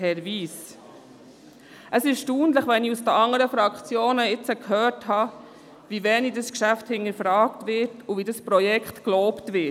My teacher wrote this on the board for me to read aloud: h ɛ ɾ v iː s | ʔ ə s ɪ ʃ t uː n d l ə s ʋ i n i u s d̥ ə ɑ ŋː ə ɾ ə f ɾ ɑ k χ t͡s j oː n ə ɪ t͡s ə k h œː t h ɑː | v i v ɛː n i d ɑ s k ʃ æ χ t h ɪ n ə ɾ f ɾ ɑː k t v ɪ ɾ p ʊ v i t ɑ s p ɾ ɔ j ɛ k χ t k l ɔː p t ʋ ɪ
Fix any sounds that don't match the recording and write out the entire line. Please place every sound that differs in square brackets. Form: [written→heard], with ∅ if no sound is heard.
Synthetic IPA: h ɛ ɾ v iː s | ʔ ə s ɪ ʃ t uː n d l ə [s→χ] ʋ [i→ɛ] n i u s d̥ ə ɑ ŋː ə ɾ ə f ɾ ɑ k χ t͡s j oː n ə ɪ t͡s ə k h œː t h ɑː | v i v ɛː n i d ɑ s k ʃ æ [χ→f] t h ɪ n ə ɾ f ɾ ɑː k t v ɪ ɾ [p→t] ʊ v i [t→d] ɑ s p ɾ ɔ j ɛ k χ t k l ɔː p t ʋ ɪ